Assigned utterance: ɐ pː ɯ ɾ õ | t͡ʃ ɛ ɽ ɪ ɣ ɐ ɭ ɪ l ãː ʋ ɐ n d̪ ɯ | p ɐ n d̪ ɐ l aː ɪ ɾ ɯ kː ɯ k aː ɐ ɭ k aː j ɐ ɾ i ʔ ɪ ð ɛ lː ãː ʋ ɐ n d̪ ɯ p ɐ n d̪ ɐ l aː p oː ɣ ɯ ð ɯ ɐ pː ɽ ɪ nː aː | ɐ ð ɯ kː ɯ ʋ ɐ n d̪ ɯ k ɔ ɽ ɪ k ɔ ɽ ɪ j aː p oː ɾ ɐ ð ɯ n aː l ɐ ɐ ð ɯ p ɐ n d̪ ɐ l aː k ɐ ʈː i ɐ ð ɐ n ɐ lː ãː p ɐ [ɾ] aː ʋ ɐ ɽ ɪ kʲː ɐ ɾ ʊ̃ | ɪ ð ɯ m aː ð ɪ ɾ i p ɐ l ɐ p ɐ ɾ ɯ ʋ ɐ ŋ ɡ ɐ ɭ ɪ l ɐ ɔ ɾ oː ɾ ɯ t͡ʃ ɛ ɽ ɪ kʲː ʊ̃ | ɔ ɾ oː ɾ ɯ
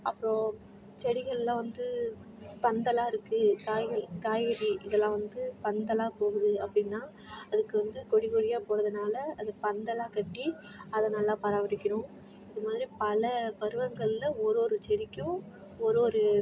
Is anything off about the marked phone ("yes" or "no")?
no